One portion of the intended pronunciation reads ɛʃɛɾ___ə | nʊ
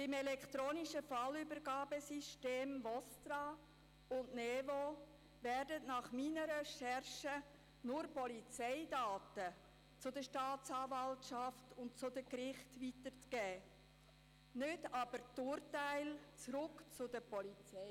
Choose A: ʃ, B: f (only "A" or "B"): A